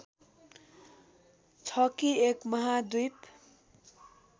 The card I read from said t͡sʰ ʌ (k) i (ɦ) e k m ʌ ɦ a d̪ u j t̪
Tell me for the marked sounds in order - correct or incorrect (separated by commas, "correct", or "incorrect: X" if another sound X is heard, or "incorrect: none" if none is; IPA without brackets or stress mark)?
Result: correct, incorrect: none